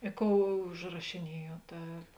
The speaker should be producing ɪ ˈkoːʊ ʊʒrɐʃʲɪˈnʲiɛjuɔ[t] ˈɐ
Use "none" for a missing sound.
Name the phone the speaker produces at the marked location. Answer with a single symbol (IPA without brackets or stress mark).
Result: t